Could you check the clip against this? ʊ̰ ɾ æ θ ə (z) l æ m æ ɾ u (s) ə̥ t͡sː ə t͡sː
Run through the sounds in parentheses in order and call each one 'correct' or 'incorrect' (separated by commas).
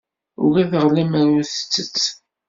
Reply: incorrect, incorrect